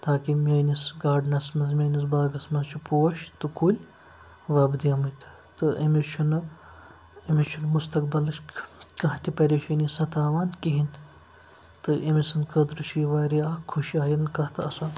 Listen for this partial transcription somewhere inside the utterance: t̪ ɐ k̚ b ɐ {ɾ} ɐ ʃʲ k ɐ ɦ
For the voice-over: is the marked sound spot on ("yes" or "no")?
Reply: no